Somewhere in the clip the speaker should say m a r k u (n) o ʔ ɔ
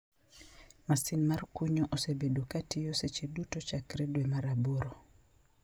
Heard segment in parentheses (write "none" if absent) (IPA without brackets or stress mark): ɲ